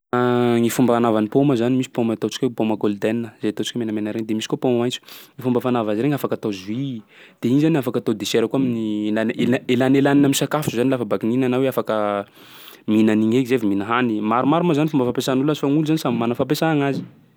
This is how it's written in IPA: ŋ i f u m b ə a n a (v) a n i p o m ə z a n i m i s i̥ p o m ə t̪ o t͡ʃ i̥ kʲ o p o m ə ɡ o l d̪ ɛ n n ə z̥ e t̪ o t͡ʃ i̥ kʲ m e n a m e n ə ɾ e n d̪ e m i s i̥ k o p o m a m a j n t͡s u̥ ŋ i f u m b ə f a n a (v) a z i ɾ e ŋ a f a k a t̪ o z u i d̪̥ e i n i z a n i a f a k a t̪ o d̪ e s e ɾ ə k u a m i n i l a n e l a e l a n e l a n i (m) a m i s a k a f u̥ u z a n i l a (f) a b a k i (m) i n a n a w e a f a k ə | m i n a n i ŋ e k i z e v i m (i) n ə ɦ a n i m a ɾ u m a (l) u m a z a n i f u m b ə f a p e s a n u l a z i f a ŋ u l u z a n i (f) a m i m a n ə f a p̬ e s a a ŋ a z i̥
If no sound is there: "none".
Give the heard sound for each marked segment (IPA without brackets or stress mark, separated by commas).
v, v, n, f, n, i, ɾ, s